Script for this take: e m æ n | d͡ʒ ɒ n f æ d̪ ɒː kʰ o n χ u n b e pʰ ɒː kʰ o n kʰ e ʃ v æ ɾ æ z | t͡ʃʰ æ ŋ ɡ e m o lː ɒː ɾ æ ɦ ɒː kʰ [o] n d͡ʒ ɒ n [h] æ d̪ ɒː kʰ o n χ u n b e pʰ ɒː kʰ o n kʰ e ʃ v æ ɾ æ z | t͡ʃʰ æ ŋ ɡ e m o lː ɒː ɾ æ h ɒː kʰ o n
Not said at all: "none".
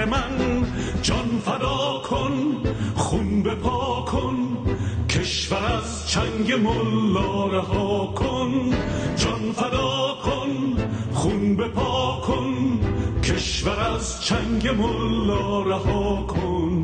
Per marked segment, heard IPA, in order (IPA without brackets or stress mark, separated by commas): o, f